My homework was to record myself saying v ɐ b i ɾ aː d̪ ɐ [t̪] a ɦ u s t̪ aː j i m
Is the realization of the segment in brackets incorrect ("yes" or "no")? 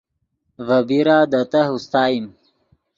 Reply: no